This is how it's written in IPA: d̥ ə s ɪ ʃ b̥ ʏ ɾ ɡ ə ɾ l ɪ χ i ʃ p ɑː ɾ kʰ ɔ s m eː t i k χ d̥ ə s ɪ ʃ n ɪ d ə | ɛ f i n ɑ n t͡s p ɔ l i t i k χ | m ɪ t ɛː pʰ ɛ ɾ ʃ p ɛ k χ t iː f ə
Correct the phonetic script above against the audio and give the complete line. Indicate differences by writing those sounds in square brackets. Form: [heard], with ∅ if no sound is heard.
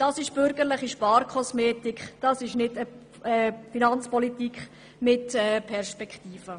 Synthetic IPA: d̥ [ɑ] s ɪ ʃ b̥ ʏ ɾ ɡ ə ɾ l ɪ χ i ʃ p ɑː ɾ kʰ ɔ s m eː t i k χ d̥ [ɑ] s ɪ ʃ n ɪ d ə | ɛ f i n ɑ n t͡s p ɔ l i t i k χ | m ɪ t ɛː pʰ ɛ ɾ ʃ p ɛ k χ t iː f ə